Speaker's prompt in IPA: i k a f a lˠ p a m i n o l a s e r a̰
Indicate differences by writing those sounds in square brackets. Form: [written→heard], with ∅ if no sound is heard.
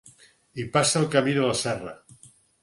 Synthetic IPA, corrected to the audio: i [k→p] a [f→s] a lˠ [p→k] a m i n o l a s [e→ɛ] r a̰